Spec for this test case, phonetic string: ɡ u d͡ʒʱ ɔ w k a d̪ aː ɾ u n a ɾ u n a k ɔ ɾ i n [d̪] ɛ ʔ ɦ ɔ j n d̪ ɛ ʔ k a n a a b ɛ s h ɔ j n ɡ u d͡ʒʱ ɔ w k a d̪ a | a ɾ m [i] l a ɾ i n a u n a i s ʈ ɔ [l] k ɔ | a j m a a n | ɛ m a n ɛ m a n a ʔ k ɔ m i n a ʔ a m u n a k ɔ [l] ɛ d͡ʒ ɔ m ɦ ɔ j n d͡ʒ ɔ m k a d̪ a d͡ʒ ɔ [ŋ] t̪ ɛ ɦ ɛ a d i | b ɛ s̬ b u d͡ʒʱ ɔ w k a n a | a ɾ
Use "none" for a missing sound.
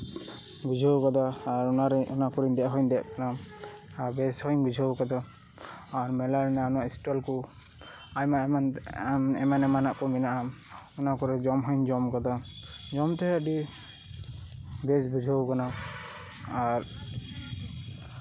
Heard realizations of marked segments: d̪, ɛ, l, ɾ, m

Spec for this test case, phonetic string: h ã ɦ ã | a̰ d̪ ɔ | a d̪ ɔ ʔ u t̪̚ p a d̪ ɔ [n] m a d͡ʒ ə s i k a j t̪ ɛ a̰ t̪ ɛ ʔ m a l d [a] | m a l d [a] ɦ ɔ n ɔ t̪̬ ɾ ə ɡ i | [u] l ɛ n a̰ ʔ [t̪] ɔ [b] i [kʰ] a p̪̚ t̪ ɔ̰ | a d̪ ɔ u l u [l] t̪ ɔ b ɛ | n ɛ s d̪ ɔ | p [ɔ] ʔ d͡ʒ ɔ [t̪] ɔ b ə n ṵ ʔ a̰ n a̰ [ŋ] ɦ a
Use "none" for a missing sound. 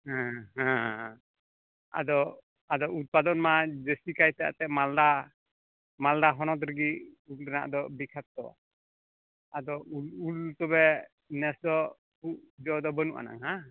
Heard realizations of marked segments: n, a, a, u, d̪, b, kʰ, l, u, d̪, ŋ

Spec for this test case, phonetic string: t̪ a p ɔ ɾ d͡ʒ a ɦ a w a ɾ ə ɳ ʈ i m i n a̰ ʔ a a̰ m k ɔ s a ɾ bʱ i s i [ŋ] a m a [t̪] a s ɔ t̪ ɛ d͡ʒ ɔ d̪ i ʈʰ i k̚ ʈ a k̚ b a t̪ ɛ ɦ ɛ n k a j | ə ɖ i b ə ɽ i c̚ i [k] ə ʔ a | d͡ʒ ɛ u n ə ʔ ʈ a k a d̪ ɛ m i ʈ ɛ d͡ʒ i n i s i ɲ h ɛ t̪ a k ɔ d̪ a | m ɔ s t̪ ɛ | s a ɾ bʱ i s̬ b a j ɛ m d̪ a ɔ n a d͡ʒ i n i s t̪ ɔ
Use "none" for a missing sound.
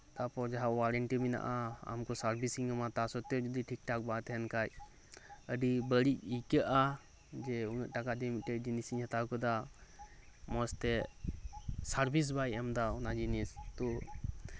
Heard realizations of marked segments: ŋ, t̪, k

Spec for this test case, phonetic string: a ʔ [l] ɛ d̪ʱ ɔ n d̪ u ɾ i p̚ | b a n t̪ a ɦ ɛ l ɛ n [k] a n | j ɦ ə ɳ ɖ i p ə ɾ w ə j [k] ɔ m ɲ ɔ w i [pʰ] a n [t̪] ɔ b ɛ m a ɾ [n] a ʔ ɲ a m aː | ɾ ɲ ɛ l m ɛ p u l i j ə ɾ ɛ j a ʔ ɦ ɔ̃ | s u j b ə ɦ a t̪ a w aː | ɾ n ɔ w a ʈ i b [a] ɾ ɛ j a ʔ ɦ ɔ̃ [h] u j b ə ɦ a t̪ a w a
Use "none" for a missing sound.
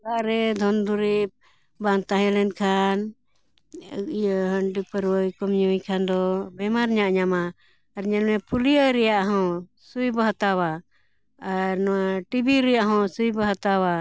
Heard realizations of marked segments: ɾ, kʰ, k, kʰ, d̪, ɲ, i, s

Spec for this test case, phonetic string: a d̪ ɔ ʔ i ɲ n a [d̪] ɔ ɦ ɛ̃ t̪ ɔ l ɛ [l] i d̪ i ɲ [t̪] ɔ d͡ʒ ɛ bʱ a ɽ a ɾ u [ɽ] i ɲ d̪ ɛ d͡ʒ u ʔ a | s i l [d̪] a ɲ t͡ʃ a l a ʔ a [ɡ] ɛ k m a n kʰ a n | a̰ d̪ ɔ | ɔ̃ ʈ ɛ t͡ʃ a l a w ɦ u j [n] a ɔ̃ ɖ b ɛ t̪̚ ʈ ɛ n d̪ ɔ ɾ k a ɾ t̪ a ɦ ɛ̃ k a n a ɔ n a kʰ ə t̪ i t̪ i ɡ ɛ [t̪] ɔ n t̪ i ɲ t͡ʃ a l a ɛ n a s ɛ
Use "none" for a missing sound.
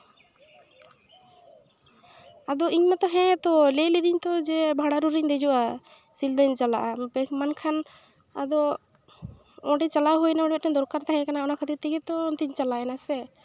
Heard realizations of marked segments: t̪, l, t̪, ɾ, d̪, b, n, t̪

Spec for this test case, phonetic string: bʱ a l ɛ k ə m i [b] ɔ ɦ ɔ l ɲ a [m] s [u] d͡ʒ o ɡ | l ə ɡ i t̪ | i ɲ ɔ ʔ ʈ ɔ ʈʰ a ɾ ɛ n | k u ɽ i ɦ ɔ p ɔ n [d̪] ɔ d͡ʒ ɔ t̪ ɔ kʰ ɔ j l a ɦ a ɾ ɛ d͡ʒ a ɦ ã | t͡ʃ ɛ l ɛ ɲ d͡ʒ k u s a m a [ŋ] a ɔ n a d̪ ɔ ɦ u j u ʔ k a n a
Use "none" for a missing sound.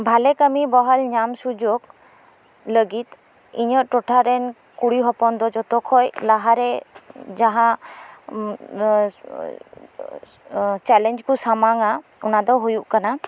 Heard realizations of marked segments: b, m, u, d̪, ŋ

